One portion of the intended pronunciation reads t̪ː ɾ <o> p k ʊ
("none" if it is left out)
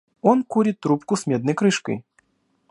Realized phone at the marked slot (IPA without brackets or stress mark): u